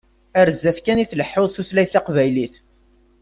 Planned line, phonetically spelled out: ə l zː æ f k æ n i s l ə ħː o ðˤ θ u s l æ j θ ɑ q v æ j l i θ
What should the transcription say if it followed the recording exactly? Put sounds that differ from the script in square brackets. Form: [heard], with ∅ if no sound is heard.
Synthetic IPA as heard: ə [ɾ] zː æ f k æ n i [θ] l ə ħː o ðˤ θ u [θ] l æ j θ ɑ q v æ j l i θ